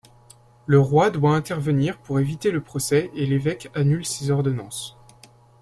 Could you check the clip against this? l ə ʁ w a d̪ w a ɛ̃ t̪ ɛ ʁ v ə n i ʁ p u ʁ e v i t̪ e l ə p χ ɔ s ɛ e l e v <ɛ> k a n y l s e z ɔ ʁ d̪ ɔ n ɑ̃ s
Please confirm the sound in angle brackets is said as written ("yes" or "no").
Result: yes